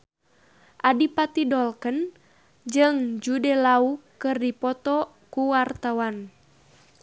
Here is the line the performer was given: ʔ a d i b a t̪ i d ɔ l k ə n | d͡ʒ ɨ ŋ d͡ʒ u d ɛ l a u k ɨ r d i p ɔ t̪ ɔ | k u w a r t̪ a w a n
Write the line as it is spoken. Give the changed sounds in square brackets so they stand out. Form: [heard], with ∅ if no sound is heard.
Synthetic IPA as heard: ʔ a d i [p] a t̪ i d ɔ l k ə n | d͡ʒ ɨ ŋ d͡ʒ u d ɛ l a u k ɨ r d i p ɔ t̪ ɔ | k u w a r t̪ a w a n